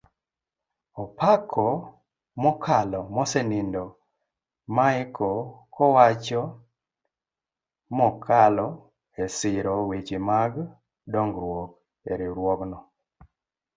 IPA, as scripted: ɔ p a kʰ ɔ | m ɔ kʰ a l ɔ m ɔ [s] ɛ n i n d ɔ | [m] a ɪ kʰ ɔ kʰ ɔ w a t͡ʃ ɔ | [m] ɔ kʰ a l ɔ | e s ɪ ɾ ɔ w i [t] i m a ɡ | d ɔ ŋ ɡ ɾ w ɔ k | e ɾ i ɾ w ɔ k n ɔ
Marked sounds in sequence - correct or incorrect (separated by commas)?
correct, correct, correct, incorrect